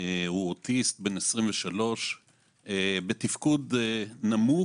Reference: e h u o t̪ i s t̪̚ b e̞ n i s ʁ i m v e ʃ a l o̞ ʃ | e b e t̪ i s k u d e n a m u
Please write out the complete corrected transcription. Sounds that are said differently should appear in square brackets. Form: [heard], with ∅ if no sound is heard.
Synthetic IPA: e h u o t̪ i s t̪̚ b e̞ n [e] s ʁ i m v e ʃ a l o̞ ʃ | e b e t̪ i [f] k u d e n a m u